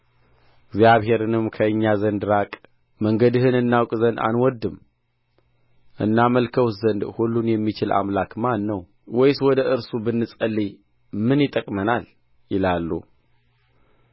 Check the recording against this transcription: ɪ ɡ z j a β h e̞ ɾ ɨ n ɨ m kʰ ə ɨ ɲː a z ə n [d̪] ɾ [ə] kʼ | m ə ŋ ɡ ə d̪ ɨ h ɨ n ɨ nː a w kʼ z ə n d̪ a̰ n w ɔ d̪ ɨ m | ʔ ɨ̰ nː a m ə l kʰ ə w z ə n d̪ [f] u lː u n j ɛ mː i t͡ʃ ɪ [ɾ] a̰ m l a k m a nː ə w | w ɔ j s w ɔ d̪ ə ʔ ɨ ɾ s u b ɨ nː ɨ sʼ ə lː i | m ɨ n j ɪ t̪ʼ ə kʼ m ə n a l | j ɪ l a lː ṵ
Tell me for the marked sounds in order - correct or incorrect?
correct, incorrect: a, incorrect: h, incorrect: l

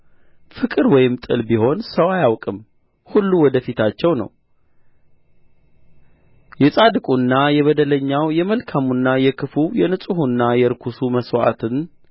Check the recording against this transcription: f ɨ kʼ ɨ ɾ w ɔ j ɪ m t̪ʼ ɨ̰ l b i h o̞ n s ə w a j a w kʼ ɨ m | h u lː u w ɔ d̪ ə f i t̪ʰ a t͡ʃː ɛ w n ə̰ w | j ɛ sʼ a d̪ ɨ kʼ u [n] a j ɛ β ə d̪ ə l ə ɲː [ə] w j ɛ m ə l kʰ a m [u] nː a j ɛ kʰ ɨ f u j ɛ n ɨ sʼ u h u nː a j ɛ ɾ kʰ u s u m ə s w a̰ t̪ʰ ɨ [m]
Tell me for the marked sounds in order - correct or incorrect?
incorrect: nː, incorrect: a, correct, incorrect: n

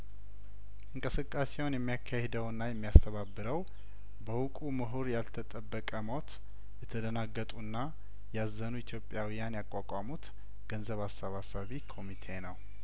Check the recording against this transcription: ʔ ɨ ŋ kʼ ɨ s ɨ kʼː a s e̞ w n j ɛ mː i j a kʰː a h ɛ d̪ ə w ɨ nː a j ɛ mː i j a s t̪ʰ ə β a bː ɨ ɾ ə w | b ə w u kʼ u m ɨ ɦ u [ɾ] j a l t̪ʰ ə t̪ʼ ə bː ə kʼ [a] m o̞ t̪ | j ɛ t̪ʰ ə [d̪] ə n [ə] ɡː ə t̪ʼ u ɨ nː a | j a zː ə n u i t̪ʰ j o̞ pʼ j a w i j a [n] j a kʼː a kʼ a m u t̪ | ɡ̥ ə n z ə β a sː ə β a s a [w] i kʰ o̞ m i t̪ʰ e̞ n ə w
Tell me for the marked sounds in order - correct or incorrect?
correct, incorrect: ə, correct, incorrect: a, correct, incorrect: β

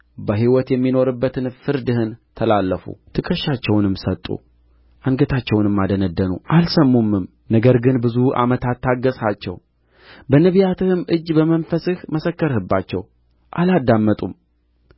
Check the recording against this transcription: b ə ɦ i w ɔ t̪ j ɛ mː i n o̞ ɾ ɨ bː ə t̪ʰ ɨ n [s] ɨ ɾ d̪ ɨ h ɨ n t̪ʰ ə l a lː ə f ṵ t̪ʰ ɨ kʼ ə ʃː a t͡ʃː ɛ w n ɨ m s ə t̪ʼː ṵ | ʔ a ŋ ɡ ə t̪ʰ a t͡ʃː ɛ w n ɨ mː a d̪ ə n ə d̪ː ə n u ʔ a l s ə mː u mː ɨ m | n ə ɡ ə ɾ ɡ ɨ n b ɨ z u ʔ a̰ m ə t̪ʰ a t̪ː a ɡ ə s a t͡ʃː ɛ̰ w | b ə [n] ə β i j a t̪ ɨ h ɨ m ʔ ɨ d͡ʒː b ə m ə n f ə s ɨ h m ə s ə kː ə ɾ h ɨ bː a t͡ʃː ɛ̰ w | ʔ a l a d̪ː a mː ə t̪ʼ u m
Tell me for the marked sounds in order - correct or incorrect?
incorrect: f, correct

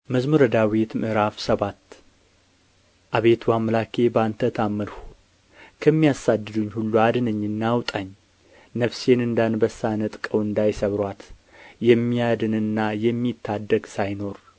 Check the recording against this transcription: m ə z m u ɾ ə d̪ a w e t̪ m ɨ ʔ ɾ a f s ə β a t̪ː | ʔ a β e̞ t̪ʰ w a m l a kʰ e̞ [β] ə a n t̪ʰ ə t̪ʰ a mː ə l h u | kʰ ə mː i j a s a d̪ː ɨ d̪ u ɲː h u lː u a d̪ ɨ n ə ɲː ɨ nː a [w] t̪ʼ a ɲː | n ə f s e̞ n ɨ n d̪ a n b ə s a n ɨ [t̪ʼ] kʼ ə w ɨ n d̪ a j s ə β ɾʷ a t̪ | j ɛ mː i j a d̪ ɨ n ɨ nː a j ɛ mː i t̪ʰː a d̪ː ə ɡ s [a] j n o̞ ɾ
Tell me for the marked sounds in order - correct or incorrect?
incorrect: b, correct, correct, correct

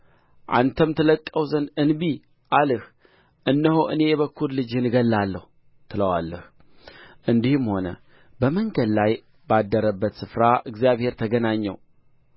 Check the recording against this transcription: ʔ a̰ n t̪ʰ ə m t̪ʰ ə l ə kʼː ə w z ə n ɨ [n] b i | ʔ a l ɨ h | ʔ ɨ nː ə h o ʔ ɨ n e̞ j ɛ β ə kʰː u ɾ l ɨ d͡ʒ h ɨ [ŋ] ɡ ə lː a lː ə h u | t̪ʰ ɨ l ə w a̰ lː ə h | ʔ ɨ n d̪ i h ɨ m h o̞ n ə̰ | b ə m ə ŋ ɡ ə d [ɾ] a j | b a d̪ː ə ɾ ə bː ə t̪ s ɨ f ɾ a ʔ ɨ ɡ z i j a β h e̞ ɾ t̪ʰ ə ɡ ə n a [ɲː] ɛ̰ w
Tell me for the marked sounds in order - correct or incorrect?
correct, incorrect: n, incorrect: l, correct

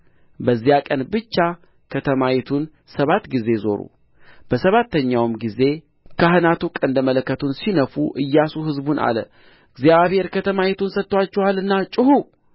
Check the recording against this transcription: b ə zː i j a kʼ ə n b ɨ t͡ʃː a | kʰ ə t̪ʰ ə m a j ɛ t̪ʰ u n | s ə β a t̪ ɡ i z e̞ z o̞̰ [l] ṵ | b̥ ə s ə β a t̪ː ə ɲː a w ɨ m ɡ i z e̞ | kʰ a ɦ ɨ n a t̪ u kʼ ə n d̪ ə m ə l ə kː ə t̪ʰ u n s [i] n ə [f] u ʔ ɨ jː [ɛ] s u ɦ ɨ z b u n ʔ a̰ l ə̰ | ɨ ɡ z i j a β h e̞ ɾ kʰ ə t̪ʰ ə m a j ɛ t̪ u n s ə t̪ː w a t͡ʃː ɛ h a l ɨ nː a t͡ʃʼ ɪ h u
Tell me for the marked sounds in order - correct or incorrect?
incorrect: ɾ, correct, correct, incorrect: a

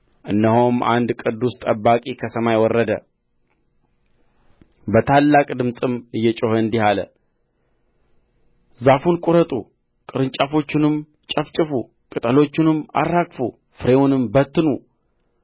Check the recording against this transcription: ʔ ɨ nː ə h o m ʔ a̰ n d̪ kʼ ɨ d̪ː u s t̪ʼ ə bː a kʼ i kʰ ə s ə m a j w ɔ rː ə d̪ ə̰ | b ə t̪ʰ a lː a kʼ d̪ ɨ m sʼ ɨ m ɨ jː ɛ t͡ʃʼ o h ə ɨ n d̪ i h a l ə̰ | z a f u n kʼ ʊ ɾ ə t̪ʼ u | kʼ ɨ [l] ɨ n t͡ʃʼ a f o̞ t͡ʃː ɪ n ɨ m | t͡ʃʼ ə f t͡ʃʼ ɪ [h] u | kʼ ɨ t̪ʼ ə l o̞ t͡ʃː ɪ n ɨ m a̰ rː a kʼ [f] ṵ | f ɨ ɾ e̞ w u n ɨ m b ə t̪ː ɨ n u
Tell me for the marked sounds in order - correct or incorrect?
incorrect: ɾ, incorrect: f, correct

